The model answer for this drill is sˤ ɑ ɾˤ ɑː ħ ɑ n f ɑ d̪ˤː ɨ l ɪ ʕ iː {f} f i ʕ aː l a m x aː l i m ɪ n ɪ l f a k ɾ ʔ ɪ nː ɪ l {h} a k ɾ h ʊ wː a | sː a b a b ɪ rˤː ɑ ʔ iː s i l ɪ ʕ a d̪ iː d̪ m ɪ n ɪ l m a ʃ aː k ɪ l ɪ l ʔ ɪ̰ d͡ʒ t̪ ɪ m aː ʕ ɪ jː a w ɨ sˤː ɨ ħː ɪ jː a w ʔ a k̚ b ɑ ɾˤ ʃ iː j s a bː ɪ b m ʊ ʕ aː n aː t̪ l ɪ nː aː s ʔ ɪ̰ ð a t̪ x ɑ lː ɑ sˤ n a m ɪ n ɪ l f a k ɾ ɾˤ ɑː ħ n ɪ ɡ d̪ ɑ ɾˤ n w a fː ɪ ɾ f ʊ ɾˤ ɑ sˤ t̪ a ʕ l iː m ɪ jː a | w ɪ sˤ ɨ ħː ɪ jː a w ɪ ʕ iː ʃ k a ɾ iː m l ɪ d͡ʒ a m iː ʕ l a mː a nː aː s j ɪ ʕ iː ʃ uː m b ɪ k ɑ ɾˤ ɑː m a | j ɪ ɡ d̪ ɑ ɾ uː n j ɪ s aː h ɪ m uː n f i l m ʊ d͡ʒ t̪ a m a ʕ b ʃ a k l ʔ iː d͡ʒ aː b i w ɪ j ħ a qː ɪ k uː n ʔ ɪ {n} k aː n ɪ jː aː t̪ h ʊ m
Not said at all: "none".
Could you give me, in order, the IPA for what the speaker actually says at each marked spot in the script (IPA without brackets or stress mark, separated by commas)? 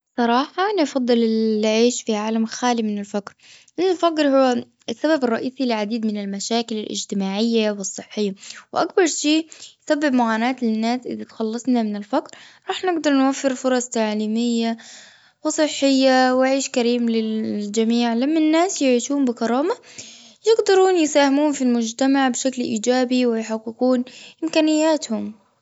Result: ʃ, f, m